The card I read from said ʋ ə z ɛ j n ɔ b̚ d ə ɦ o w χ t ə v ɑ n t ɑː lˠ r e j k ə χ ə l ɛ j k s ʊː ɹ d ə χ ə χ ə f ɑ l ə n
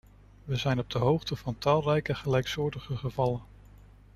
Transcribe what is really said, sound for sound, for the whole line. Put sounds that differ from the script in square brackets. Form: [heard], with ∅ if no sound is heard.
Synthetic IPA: ʋ ə z ɛ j n ɔ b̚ d ə ɦ o w χ t ə v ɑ n t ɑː lˠ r [ɛ] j k ə χ ə l ɛ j k s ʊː ɹ d ə χ ə χ ə [v] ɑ l ə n